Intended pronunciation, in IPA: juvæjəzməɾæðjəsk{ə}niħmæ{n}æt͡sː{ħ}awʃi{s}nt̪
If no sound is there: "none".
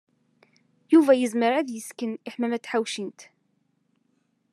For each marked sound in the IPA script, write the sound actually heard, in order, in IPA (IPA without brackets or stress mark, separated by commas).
ə, m, ħ, none